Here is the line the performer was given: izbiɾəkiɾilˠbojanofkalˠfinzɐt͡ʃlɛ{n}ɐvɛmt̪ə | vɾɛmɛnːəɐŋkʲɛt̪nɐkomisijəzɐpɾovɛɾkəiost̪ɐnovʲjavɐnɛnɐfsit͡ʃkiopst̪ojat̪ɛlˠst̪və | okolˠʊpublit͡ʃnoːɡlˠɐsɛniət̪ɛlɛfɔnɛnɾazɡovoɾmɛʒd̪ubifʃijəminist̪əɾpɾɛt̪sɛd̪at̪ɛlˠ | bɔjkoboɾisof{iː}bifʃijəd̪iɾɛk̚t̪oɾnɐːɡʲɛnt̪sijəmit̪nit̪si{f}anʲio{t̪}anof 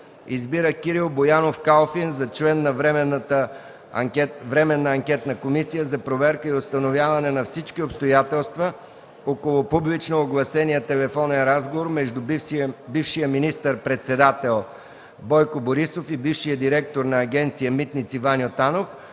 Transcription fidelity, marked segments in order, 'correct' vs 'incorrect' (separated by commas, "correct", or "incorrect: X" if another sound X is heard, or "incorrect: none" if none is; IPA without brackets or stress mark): incorrect: nː, incorrect: i, incorrect: v, correct